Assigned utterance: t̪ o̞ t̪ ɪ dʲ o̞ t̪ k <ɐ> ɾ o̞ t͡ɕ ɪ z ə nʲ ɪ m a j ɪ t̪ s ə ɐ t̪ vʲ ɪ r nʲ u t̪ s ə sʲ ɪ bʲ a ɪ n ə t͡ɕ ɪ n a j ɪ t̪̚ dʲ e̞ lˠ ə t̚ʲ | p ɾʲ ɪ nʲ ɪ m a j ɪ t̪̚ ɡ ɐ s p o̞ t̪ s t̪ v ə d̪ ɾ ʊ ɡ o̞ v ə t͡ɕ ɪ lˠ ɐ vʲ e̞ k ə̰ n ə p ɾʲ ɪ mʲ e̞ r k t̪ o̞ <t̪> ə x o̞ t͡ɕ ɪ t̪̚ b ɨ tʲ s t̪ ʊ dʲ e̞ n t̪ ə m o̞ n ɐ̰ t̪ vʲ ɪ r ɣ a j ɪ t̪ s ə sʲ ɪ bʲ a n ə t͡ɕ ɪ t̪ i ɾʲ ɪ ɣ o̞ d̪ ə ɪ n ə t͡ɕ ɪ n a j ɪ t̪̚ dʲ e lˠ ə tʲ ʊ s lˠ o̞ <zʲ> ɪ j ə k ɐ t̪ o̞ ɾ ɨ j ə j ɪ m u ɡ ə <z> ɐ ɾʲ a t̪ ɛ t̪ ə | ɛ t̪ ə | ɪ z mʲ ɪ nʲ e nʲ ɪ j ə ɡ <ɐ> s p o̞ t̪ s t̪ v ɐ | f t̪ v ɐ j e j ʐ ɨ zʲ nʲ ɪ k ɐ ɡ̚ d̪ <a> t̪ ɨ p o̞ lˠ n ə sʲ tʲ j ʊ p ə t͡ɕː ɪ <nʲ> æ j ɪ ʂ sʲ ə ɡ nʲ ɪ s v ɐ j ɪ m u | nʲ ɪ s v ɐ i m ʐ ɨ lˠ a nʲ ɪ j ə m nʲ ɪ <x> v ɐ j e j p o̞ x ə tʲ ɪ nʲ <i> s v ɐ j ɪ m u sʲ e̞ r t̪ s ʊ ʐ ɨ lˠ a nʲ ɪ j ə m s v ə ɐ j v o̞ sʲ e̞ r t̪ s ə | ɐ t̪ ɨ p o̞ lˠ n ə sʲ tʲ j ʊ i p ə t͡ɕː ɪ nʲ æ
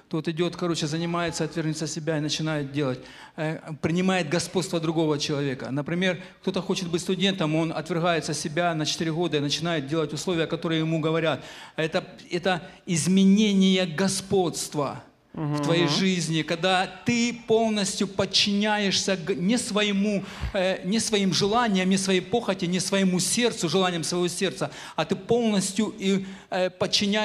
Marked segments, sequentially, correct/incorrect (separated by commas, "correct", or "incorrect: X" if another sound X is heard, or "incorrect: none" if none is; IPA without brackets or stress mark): correct, correct, incorrect: vʲ, incorrect: v, correct, correct, correct, incorrect: s, incorrect: ɪ